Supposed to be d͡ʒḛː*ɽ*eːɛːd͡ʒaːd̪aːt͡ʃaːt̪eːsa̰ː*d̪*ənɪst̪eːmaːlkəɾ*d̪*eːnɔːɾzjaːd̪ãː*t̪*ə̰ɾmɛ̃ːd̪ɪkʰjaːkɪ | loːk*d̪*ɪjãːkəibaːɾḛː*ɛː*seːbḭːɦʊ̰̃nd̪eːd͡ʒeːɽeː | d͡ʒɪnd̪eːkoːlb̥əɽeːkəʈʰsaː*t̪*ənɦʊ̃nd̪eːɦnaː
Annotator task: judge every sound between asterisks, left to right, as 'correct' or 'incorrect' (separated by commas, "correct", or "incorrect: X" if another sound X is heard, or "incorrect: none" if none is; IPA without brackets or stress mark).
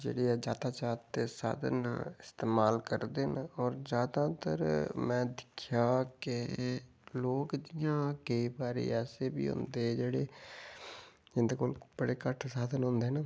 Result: correct, correct, correct, correct, correct, correct, incorrect: d̪